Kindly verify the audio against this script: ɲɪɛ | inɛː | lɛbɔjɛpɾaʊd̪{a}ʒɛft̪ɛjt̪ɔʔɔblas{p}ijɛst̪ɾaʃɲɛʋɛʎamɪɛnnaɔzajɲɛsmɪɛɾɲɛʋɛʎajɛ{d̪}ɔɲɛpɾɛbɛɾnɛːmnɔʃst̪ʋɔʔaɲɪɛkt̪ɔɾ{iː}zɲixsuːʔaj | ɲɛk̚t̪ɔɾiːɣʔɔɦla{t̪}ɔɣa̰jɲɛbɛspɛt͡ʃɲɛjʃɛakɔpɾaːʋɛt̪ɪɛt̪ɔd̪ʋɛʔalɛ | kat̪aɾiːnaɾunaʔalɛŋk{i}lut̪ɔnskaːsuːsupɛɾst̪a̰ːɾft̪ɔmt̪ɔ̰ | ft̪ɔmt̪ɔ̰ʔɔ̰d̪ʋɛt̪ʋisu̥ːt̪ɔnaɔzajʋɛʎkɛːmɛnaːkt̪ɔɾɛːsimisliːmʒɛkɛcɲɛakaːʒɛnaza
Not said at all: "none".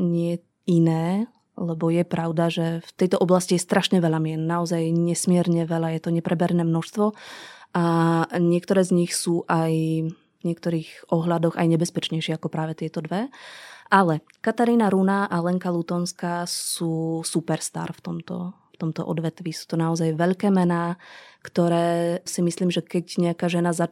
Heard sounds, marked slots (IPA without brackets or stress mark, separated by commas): a, c, t̪, ɛː, d̪, a